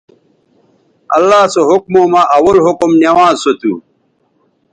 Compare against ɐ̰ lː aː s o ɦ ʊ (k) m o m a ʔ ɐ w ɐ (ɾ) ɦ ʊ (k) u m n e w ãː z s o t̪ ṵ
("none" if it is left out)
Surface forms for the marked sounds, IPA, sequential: k, l, k

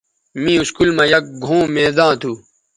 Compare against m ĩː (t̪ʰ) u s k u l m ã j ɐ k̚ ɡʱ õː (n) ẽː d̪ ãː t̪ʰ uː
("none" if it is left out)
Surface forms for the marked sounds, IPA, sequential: none, m

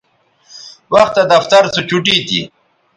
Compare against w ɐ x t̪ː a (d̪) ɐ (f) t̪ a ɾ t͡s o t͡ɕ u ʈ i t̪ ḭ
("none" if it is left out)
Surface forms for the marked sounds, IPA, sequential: d̪, f

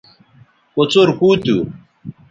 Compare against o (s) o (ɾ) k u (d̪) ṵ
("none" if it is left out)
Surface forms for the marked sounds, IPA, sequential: t͡s, ɾ, t̪

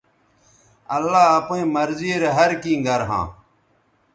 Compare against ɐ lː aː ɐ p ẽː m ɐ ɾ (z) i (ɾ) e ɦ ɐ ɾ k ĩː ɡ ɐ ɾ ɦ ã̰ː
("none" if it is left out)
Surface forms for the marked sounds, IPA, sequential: z, ɾ

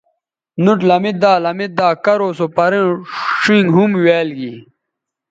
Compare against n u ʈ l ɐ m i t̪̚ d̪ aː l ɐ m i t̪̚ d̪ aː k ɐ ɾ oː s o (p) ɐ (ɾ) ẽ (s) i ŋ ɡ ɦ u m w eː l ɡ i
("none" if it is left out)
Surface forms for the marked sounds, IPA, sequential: p, ɾ, ʂ

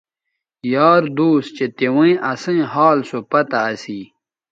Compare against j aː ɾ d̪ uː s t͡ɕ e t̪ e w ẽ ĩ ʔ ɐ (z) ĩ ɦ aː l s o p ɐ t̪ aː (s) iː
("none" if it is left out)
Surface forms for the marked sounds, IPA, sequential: s, s

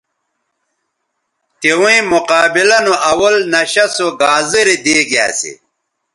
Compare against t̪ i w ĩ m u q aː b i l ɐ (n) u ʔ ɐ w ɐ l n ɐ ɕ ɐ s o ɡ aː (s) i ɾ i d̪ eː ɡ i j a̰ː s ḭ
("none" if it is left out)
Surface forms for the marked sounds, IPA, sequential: n, z

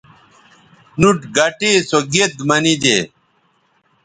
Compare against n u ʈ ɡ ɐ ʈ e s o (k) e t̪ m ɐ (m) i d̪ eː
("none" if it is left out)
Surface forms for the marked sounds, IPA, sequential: ɡ, n

